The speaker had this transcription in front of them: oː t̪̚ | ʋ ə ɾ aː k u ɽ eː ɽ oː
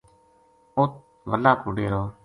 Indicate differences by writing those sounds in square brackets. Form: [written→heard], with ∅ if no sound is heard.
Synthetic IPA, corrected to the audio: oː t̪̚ | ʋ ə [ɾ→l] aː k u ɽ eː [ɽ→ɾ] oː